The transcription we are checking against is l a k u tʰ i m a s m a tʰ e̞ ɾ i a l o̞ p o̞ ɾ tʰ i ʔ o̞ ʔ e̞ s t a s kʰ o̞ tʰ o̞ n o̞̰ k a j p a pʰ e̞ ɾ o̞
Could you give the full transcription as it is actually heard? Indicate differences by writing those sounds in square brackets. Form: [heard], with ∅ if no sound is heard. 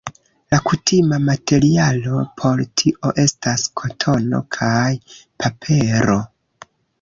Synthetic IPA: l a k u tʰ i m a [∅] m a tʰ e̞ ɾ i a l o̞ [pʰ] o̞ ɾ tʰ i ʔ o̞ ʔ e̞ s t a s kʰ o̞ tʰ o̞ n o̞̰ [kʰ] a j p a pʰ e̞ ɾ o̞